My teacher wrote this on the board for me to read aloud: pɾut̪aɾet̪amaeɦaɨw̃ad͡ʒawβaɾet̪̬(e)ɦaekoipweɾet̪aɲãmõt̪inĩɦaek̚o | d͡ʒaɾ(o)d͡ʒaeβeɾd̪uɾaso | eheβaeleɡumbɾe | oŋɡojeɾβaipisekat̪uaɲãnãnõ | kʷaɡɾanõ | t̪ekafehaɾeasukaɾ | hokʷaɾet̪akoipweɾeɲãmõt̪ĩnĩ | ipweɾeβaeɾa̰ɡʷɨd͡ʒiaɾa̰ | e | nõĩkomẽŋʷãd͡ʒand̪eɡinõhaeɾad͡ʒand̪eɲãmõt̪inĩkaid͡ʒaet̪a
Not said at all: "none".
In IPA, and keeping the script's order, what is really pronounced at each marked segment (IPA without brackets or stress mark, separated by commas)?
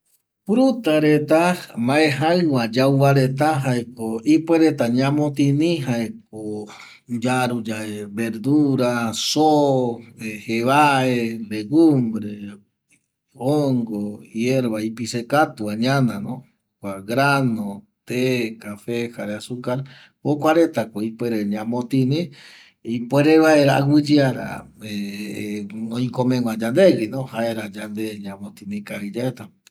a, u